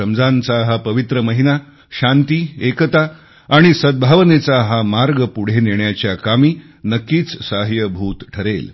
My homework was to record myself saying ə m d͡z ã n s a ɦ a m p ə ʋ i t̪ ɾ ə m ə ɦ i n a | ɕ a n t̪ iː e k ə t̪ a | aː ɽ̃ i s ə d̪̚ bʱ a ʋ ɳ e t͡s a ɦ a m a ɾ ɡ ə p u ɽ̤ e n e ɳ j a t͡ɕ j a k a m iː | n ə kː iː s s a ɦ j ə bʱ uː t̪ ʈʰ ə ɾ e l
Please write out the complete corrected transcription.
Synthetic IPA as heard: ə m d͡z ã n t͡s a ɦ a p ə ʋ i t̪ ɾ ə m ə ɦ i n a | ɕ a n t̪ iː e k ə t̪ a | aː ɽ̃ i s ə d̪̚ bʱ a ʋ n e t͡s a ɦ a m a ɾ ɡ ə p u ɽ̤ e n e ɳ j a t͡ɕ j a k a m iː | n ə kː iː t͡s s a ɦ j ə bʱ uː t̪ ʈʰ ə ɾ e l